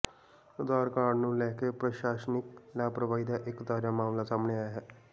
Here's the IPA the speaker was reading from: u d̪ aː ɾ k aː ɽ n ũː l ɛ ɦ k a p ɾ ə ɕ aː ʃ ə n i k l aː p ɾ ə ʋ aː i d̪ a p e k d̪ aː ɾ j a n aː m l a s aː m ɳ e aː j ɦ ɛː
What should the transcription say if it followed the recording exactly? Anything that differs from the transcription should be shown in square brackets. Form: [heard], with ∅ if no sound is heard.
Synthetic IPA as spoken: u d̪ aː ɾ k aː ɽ n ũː l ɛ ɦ k [e] p ɾ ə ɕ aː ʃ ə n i k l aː p ɾ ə ʋ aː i d̪ a [ʔ] e k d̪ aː ɾ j a [m] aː m l a s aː m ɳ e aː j ɦ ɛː